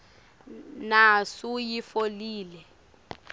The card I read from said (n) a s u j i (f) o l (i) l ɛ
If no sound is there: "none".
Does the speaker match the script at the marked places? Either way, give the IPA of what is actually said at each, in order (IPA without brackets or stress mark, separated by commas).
n, f, iː